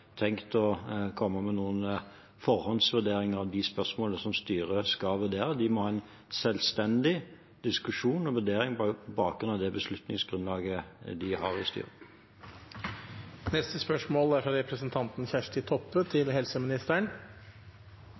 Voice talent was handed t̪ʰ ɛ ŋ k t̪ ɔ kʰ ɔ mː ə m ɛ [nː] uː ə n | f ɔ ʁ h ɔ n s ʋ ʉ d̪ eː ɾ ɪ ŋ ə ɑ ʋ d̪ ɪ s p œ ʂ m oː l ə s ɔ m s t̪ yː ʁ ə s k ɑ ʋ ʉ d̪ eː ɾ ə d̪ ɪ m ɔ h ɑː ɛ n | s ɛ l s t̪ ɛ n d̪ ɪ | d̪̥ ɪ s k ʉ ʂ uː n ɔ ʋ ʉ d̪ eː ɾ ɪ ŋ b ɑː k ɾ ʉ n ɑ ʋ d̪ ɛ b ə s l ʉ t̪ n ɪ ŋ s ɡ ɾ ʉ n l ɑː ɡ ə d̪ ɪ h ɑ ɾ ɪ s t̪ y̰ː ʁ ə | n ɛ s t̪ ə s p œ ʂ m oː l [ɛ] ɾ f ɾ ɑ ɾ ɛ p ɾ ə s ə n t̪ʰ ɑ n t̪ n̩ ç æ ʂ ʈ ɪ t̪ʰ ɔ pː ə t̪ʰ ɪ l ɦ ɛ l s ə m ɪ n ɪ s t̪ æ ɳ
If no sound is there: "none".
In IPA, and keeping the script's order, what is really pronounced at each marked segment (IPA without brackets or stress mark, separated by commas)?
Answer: n, æ